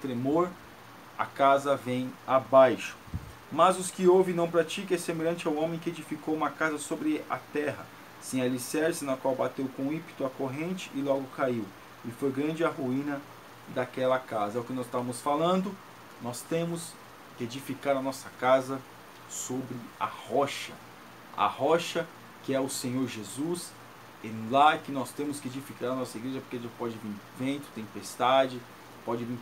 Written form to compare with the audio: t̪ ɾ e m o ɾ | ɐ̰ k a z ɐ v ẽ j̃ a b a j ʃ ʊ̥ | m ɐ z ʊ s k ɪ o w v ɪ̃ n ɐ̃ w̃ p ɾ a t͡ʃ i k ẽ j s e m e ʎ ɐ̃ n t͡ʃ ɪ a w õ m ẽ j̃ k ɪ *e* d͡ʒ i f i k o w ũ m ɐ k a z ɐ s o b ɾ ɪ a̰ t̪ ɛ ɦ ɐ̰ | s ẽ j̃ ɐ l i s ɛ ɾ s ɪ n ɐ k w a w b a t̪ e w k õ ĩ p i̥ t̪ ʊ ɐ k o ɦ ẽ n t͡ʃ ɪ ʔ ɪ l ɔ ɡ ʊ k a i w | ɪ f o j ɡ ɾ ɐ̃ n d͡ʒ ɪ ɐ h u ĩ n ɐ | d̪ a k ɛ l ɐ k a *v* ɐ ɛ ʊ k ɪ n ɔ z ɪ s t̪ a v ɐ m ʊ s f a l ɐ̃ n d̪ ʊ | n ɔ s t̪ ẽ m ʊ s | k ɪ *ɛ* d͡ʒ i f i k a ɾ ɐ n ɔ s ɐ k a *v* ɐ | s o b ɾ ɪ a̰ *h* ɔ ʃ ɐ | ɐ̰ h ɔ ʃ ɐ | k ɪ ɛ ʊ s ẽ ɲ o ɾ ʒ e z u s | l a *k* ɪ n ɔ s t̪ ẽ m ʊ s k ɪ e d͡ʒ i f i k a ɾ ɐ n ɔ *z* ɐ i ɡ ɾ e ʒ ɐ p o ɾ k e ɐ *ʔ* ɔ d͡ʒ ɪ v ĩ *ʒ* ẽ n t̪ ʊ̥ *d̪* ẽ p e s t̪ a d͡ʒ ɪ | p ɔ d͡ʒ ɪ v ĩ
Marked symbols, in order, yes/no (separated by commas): yes, no, no, no, yes, yes, no, no, no, no